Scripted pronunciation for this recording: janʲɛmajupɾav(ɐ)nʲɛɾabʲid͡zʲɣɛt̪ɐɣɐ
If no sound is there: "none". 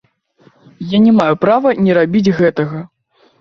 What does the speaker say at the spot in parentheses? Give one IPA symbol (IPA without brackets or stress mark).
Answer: ɐ